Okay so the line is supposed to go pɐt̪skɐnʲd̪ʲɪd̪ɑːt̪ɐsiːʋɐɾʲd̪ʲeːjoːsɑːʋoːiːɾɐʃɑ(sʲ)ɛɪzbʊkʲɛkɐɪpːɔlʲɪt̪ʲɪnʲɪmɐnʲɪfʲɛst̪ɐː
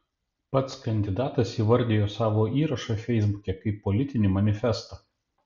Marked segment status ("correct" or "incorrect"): incorrect